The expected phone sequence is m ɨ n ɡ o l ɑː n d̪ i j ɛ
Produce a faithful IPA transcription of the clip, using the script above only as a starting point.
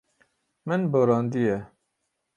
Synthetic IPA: m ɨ n b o ɾ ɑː n d̪ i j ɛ

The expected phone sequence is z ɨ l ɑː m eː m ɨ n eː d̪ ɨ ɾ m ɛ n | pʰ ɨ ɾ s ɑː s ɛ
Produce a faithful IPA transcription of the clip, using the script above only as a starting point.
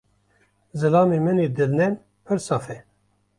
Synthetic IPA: z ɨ l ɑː m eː m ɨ n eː d̪ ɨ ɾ n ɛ n | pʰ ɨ ɾ s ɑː f ɛ

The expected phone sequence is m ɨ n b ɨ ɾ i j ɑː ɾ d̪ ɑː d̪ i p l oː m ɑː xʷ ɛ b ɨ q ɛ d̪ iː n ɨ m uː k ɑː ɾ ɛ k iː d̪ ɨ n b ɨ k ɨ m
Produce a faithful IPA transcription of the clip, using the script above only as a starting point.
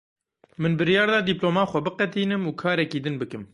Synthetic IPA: m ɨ n b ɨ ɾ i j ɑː ɾ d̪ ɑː d̪ i p l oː m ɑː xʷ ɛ b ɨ q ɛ t̪ iː n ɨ m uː kʰ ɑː ɾ ɛ k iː d̪ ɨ n b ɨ k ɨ m

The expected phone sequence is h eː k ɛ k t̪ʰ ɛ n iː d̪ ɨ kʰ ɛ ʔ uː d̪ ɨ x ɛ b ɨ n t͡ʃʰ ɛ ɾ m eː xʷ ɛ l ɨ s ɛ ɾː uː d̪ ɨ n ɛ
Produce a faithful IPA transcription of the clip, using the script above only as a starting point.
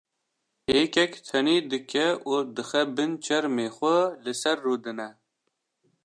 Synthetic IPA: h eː k ɛ k t̪ʰ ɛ n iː d̪ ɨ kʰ ɛ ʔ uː d̪ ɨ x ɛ b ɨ n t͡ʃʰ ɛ ɾ m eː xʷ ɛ l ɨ s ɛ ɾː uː d̪ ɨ n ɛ

